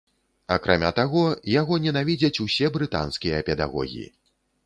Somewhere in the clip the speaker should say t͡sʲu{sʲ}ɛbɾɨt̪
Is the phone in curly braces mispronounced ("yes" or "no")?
no